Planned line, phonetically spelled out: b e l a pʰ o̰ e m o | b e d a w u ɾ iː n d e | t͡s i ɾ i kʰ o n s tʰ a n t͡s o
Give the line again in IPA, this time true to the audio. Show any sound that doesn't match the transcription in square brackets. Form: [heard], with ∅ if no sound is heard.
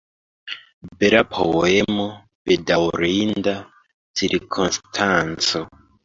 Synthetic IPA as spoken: b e [ɾ] a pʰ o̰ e m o | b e d a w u ɾ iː n d [a] | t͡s i ɾ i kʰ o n s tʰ a n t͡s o